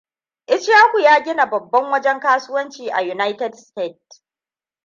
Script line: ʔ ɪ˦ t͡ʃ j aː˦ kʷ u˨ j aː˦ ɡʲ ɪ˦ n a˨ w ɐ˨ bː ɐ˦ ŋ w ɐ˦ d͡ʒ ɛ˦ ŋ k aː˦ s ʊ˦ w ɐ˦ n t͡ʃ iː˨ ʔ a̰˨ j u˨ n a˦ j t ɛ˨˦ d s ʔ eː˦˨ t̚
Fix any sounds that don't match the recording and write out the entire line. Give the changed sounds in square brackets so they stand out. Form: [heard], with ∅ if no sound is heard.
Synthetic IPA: ʔ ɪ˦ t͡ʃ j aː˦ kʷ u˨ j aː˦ ɡʲ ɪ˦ n a˨ [b] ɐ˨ bː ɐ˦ ŋ w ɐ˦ d͡ʒ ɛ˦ ŋ k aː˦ s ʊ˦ w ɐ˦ n t͡ʃ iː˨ ʔ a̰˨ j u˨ n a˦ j t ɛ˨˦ d s [t] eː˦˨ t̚

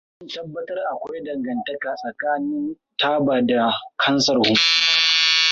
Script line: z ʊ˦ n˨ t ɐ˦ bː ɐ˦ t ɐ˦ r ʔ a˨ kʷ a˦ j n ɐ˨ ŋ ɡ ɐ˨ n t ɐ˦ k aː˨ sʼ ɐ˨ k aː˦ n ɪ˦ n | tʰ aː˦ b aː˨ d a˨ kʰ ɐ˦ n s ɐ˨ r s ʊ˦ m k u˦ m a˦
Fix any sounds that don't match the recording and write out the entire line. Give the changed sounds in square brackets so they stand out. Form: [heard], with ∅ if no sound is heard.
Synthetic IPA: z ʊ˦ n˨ t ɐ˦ bː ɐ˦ t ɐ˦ r ʔ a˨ kʷ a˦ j [d] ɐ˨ ŋ ɡ ɐ˨ n t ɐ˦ k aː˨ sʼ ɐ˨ k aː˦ n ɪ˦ n | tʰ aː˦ b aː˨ d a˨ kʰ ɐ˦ n s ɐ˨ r [h] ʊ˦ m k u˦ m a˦

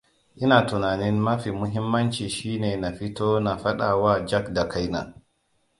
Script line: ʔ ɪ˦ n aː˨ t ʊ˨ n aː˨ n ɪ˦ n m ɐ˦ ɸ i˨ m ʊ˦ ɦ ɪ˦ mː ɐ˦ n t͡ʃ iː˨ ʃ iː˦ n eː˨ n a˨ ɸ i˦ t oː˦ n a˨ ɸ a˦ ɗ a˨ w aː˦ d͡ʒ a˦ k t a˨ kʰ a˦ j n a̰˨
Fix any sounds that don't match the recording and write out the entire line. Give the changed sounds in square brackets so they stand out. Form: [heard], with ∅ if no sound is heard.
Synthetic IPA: ʔ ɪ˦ n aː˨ t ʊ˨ n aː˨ n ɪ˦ n m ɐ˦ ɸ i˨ m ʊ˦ ɦ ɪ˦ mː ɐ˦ n t͡ʃ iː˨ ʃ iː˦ n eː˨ n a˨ ɸ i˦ t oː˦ n a˨ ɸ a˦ ɗ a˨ w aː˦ d͡ʒ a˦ k [d] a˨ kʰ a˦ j n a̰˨

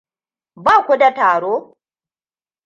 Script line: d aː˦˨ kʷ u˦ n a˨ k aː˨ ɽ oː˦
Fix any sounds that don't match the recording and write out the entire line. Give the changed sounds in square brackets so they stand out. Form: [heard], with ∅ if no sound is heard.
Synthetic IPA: [b] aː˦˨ kʷ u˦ [d] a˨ [t] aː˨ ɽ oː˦

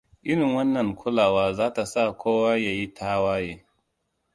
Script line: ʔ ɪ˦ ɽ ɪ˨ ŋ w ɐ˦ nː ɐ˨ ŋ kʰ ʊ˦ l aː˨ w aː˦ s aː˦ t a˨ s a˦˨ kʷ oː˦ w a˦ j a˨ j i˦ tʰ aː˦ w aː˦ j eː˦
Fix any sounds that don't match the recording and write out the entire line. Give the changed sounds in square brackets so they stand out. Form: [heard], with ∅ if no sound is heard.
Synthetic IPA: ʔ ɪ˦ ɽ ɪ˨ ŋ w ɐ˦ nː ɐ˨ ŋ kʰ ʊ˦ l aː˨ w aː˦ [z] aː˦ t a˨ s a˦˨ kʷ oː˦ w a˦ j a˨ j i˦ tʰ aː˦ w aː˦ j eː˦

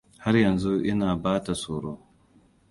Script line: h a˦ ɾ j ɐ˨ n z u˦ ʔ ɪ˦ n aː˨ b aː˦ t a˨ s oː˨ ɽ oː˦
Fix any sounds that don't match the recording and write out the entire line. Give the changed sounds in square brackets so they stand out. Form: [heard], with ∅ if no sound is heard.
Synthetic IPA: h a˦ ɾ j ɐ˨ n z u˦ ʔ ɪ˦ n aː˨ b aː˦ t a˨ s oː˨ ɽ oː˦

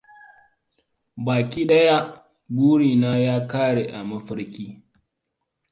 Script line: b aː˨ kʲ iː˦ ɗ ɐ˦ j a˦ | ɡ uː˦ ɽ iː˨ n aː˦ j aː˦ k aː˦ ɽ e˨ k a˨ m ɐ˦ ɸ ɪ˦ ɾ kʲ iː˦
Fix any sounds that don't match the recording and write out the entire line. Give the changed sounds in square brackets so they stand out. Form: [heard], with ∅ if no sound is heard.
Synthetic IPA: b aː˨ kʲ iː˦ ɗ ɐ˦ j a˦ | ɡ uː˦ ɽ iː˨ n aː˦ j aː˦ k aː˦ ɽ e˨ [ʔ] a˨ m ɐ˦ ɸ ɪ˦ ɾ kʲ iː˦

